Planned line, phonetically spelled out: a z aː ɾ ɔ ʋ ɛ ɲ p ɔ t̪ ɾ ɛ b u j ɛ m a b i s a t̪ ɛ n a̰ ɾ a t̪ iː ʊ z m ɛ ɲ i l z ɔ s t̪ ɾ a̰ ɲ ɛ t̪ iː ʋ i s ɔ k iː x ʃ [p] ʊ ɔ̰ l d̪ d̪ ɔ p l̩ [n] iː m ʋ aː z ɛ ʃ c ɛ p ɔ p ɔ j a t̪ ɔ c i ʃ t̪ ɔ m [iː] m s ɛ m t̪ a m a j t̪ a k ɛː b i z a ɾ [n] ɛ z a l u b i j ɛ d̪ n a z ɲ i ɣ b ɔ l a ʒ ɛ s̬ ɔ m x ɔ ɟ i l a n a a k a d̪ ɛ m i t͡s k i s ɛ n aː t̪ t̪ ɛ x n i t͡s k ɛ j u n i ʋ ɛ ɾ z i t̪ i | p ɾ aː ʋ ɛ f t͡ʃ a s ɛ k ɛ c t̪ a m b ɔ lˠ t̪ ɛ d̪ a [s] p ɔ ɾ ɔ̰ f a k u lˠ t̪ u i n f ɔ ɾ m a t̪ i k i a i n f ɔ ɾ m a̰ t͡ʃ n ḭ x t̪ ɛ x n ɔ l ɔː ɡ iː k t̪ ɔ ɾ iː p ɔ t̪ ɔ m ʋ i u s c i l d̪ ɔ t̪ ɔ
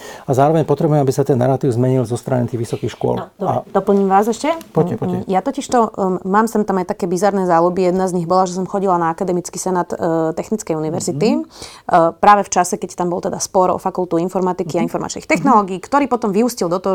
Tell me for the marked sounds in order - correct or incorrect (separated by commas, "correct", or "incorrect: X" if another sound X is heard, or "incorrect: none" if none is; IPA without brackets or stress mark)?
incorrect: k, incorrect: ɲ, incorrect: aː, correct, correct